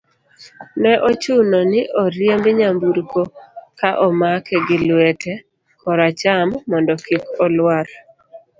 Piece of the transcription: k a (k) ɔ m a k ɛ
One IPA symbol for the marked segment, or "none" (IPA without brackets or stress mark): ʔ